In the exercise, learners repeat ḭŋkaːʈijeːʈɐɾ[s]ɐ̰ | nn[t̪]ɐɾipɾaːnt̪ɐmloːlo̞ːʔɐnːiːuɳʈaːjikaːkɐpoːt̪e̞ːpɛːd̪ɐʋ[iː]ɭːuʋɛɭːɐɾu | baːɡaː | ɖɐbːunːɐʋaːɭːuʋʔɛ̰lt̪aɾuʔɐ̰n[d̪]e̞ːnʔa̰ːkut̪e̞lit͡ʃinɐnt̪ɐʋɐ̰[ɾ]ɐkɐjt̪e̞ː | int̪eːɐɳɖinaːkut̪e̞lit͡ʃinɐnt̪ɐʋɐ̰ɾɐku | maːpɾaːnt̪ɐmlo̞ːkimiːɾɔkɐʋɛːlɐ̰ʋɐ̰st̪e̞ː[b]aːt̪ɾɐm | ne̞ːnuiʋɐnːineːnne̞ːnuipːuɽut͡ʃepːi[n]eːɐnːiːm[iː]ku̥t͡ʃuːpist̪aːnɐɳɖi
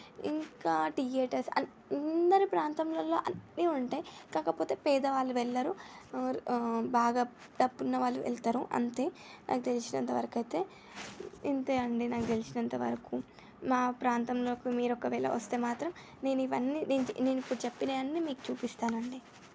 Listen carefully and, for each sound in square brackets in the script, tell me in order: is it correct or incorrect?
correct, incorrect, incorrect, incorrect, correct, incorrect, correct, correct

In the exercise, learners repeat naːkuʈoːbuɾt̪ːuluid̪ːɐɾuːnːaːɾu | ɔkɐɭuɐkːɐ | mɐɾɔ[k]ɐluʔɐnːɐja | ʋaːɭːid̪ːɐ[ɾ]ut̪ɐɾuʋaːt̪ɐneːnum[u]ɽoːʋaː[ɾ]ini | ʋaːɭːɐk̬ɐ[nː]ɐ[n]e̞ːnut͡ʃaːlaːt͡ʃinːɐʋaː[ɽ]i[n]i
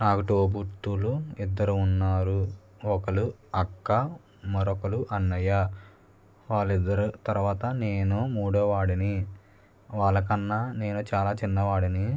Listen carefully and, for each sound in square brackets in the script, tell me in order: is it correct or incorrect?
correct, correct, incorrect, incorrect, correct, correct, correct, correct

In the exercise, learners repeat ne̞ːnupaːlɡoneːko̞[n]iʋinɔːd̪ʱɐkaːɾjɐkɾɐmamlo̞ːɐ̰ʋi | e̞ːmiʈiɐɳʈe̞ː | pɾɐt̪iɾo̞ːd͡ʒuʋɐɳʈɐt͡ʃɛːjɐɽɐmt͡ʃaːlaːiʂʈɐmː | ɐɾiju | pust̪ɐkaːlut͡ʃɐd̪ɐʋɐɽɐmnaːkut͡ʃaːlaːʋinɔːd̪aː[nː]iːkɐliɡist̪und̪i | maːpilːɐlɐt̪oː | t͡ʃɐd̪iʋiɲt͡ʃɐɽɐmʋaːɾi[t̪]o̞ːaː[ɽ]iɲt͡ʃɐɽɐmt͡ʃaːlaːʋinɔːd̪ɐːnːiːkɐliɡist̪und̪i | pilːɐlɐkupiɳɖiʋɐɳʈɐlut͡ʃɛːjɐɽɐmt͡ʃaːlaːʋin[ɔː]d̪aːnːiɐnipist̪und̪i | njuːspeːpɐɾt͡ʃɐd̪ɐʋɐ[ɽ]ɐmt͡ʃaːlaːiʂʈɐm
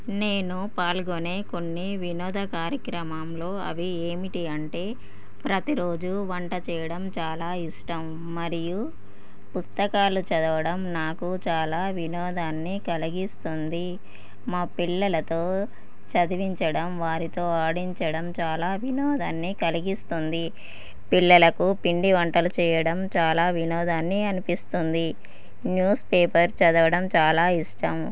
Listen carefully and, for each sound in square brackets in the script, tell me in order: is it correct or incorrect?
incorrect, correct, correct, correct, correct, correct

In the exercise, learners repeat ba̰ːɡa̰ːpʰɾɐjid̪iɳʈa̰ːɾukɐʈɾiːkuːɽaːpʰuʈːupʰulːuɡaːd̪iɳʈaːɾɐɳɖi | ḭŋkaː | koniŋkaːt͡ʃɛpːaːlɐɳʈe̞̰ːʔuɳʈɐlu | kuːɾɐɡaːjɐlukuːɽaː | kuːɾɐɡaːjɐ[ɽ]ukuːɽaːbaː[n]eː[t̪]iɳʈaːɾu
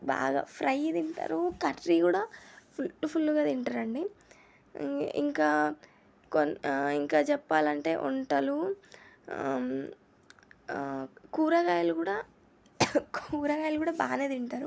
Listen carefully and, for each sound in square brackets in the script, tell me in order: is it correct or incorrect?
incorrect, correct, incorrect

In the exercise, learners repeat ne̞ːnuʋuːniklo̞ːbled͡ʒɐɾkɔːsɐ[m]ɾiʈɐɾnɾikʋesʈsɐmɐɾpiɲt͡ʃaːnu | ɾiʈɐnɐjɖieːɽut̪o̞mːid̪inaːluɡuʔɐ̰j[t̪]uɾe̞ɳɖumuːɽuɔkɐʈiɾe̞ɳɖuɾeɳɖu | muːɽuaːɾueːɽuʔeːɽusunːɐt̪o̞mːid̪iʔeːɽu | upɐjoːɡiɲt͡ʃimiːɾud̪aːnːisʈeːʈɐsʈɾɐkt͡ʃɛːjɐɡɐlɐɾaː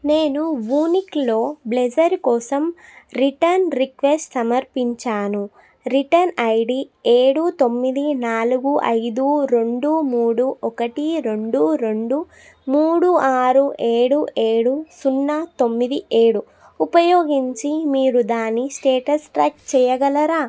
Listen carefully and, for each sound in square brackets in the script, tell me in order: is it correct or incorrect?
correct, incorrect

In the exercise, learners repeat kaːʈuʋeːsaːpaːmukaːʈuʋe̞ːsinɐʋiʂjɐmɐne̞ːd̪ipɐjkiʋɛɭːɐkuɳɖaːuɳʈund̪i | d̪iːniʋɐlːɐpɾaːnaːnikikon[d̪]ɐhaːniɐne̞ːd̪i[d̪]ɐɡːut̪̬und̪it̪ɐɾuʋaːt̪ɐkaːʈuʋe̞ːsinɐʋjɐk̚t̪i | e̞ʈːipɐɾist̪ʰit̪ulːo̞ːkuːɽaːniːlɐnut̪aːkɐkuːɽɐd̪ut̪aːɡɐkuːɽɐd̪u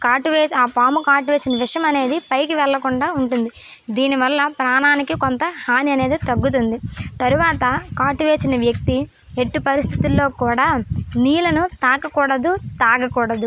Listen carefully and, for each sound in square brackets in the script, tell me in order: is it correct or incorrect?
incorrect, incorrect

